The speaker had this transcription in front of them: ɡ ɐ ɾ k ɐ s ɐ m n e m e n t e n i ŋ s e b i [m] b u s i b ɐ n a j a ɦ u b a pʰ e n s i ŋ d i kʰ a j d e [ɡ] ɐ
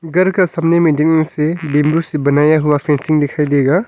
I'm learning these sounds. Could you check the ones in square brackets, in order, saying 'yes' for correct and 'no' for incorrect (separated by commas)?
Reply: yes, yes